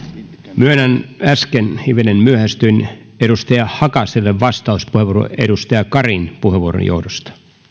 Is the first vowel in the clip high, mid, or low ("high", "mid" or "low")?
high